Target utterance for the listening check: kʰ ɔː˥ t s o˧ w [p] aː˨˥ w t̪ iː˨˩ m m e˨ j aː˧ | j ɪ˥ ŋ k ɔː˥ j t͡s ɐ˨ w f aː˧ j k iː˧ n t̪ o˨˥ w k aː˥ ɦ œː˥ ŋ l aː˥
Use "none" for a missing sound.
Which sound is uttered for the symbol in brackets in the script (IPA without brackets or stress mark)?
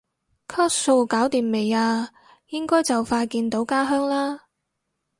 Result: k